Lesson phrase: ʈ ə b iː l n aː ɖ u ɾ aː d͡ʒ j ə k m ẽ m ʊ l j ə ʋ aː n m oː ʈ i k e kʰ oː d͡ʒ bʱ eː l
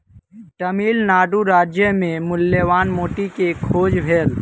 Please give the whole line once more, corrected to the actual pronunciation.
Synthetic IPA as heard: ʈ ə m iː l n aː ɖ u ɾ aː d͡ʒ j ə m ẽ m ʊ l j ə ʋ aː n m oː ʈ i k e kʰ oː d͡ʒ bʱ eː l

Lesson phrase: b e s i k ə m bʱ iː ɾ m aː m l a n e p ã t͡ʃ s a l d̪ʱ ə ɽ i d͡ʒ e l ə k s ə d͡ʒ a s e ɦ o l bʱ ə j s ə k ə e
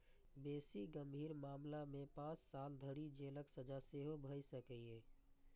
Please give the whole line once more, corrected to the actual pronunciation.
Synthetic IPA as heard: b e s i ɡ ə m bʱ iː ɾ m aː m l a m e p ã t͡ʃ s a l d̪ʱ ə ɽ i d͡ʒ e l ə k s ə d͡ʒ a s e ɦ o bʱ ə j s ə k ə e

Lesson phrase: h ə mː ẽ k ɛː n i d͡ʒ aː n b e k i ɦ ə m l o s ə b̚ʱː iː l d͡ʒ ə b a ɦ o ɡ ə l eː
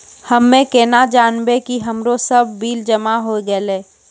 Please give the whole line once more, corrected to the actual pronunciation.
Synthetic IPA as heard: h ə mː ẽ k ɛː n a d͡ʒ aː n b e k i ɦ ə m ɾ o s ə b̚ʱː iː l d͡ʒ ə m a ɦ o ɡ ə l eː

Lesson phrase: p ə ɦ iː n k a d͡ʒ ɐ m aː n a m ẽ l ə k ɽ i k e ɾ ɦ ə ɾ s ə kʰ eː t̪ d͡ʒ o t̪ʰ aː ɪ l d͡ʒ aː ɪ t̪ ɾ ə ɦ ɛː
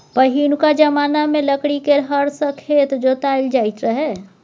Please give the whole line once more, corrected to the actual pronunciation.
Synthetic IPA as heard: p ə ɦ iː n k a d͡ʒ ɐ m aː n a m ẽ l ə k ɽ i k e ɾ ɦ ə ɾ s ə kʰ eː t̪ d͡ʒ o t̪ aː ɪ l d͡ʒ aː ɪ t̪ ɾ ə ɦ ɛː

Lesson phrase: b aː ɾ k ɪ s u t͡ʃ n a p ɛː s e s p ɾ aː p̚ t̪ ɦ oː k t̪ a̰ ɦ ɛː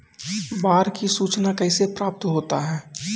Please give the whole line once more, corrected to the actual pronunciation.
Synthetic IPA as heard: b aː ɾ k i s uː t͡ʃ n a k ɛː s e p ɾ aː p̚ t̪ ɦ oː t̪ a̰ ɦ ɛː

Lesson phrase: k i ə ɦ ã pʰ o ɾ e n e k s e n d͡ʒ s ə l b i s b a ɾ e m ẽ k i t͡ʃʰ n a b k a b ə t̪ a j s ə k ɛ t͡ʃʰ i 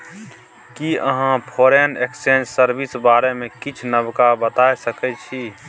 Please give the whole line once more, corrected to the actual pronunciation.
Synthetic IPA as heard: k i ə ɦ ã pʰ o ɾ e n e k s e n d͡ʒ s ə ɾ b i s b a ɾ e m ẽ k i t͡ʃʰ n ə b k a b ə t̪ a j s ə k ɛ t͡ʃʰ i

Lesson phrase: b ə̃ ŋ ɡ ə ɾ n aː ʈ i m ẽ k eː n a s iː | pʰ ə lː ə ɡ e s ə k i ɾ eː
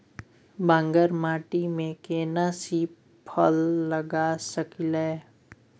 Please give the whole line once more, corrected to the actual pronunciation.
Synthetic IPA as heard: b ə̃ ŋ ɡ ə ɾ m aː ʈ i m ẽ k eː n a s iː | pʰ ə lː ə ɡ a s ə k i l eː

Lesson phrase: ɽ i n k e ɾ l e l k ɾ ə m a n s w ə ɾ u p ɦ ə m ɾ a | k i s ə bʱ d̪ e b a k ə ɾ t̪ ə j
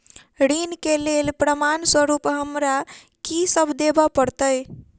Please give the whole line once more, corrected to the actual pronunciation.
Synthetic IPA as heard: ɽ i n k e l e l p ɾ ə m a n s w ə ɾ u p ɦ ə m ɾ a | k i s ə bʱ d̪ e b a p ə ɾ t̪ ə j

